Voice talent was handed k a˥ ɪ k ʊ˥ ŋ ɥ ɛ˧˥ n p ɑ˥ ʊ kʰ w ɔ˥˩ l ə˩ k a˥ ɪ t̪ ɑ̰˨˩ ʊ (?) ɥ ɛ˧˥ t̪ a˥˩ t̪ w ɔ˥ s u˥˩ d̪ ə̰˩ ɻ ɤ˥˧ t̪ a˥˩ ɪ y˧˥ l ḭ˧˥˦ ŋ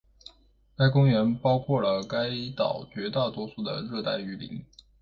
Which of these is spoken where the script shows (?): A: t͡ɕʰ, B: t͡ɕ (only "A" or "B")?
B